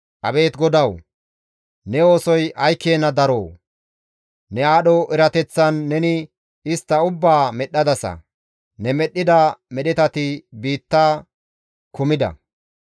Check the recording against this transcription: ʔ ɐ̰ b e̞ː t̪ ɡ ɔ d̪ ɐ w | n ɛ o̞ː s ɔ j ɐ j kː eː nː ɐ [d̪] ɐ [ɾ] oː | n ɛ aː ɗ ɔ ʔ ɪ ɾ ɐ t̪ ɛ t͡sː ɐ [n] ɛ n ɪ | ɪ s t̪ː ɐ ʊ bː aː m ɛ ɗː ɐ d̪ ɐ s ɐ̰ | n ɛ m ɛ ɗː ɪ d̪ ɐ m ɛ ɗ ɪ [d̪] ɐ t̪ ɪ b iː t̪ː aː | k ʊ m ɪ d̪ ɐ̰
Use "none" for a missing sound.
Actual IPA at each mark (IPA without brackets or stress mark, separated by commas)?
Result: d̪, ɾ, nː, t̪